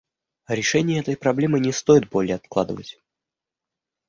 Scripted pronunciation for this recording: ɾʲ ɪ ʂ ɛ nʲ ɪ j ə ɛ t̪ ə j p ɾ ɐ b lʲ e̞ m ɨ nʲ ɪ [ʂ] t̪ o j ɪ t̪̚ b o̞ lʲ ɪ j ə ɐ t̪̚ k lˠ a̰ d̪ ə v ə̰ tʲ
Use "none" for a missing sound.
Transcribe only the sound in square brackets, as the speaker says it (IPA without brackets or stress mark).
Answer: s